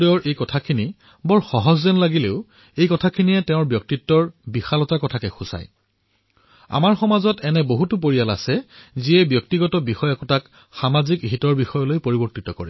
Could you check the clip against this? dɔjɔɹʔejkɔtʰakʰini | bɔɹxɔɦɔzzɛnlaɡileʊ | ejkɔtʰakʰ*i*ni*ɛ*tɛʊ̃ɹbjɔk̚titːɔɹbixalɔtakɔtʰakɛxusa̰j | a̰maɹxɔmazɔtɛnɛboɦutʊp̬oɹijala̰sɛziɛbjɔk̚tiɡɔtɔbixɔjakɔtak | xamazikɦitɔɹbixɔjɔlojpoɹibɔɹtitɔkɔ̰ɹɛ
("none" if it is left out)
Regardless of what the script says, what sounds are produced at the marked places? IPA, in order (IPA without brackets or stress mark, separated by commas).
i, ɛ